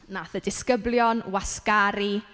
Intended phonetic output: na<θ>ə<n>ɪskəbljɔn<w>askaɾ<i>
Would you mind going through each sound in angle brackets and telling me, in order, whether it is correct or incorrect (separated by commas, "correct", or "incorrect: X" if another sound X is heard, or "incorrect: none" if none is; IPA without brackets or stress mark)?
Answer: correct, incorrect: d, correct, correct